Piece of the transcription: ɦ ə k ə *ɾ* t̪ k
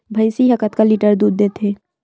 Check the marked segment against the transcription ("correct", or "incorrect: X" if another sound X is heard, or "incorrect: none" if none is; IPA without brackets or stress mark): incorrect: none